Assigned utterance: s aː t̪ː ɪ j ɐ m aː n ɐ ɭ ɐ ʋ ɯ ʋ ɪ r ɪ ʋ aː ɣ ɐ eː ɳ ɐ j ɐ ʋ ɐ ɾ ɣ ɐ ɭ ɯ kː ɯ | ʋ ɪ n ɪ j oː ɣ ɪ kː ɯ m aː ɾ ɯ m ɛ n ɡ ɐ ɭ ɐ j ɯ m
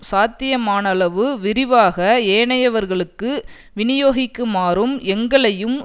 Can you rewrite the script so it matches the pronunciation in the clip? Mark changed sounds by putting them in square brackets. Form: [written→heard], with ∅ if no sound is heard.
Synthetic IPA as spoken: s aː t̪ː ɪ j ɐ m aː n ɐ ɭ ɐ ʋ ɯ ʋ ɪ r ɪ ʋ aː ɣ ɐ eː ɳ ɐ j ɐ ʋ ɐ ɾ ɣ ɐ ɭ ɯ kː ɯ | ʋ ɪ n ɪ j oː ɣ ɪ kː ɯ m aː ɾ ɯ m ɛ [n→ŋ] ɡ ɐ ɭ ɐ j ɯ m

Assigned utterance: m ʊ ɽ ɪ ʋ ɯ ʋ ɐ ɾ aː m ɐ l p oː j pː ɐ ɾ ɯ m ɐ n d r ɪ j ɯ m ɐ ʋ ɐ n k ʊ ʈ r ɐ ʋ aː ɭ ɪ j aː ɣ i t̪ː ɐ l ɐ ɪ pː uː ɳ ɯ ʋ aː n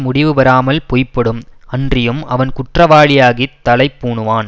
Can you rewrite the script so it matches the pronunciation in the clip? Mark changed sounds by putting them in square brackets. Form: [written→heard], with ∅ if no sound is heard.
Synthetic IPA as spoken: m ʊ ɽ ɪ ʋ ɯ ʋ ɐ ɾ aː m ɐ l p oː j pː ɐ [ɾ→ɽ] ɯ m ɐ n d r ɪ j ɯ m ɐ ʋ ɐ n k ʊ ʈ r ɐ ʋ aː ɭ ɪ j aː ɣ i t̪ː ɐ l ɐ ɪ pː uː ɳ ɯ ʋ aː n

